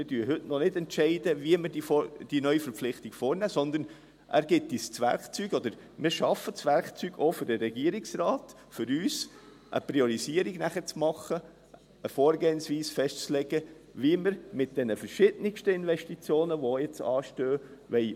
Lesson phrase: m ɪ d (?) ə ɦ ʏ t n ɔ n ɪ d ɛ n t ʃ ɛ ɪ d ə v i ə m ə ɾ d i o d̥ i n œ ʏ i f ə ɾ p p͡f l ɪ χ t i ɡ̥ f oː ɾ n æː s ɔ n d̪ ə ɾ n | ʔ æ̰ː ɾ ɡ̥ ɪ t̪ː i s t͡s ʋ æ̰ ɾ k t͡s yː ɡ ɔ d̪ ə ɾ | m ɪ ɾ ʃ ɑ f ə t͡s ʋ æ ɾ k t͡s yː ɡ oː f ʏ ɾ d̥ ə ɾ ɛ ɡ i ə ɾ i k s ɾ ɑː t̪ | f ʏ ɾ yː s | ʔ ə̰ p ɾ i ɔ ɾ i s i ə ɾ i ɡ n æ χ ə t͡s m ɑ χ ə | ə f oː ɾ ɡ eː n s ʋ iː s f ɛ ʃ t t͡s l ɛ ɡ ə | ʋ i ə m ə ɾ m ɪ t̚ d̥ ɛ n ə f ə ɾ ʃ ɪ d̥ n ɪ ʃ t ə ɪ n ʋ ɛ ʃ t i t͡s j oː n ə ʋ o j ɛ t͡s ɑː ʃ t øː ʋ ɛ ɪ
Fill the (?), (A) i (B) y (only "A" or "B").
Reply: B